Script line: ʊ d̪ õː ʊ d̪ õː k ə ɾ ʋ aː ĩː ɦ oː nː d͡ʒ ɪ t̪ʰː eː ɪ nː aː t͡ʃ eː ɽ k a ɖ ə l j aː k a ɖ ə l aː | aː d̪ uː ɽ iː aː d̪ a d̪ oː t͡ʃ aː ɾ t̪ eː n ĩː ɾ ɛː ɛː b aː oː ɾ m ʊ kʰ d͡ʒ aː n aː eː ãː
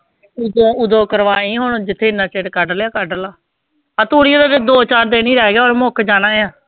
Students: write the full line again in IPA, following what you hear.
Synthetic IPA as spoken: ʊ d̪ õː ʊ d̪ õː k ə ɾ ʋ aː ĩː ɦ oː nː d͡ʒ ɪ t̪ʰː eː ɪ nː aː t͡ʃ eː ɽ k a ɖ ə l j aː k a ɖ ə l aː | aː t̪ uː ɽ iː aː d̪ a d̪ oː t͡ʃ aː ɾ d̪ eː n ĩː ɾ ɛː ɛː ɡ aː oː ɾ m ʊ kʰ d͡ʒ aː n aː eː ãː